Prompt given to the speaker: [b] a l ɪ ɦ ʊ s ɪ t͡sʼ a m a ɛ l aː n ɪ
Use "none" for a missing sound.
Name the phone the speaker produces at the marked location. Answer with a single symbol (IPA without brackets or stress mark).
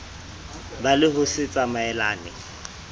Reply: b